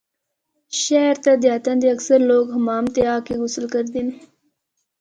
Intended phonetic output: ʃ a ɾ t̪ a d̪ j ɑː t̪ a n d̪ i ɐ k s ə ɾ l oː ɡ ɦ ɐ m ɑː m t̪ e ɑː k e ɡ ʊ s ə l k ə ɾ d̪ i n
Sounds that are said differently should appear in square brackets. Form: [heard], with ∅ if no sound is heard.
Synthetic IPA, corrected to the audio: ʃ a ɾ t̪ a d̪ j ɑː t̪ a n d̪ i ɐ k s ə ɾ l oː ɡ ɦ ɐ m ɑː m t̪ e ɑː k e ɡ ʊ s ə l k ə ɾ d̪ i n